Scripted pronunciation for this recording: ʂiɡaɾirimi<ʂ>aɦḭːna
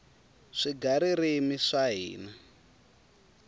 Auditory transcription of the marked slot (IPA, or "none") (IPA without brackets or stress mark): ʂ